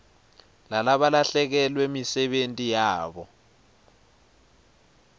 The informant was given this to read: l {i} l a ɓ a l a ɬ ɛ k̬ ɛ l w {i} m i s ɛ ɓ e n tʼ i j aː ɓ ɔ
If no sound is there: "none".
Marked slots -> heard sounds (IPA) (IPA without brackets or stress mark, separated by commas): a, e